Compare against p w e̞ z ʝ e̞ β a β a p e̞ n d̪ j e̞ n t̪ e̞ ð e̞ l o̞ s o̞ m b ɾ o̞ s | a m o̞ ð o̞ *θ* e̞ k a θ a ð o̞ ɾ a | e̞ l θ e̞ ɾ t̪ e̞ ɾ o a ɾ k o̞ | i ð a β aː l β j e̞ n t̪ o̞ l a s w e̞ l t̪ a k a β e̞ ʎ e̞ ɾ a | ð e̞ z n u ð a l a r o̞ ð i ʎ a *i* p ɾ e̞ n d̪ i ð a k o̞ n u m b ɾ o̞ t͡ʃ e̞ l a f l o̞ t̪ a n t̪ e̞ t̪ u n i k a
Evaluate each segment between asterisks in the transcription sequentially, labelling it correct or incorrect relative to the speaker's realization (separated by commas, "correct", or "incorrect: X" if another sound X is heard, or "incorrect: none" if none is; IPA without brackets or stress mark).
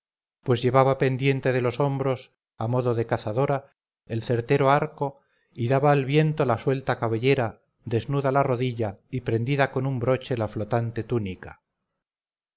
incorrect: ð, correct